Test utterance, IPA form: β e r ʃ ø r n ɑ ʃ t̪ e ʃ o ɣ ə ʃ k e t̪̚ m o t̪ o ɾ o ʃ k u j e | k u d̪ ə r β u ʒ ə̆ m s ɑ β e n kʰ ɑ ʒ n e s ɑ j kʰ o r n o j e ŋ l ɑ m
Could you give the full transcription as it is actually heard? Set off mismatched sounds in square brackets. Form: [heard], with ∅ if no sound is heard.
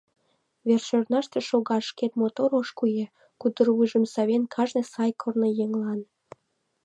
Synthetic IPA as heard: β e r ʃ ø r n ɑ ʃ t̪ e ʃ o ɣ [ɑ] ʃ k e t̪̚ m o t̪ o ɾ o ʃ k u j e | k u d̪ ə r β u ʒ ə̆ m s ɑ β e n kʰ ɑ ʒ n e s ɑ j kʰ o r n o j e ŋ l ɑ [n]